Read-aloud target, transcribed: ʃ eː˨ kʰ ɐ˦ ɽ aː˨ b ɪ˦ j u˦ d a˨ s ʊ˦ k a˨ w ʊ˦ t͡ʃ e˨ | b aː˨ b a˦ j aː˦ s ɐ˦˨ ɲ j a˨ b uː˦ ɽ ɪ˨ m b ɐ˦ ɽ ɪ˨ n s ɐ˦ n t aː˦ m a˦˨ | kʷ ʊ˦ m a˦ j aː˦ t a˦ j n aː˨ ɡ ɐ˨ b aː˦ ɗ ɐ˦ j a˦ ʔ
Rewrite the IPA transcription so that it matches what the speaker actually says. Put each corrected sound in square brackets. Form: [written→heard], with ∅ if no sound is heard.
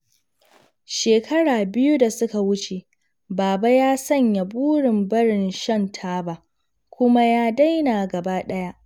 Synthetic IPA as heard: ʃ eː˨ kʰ ɐ˦ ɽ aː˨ b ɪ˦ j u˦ d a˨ s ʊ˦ k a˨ w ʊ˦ t͡ʃ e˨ | b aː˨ b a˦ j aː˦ s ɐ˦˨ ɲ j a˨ b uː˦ ɽ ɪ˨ m b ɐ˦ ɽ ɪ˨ n [s→ʃ] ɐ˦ n [t→tʰ] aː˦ [m→b] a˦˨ | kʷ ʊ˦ m a˦ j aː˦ [t→d] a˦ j n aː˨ ɡ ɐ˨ b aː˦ ɗ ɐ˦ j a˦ ʔ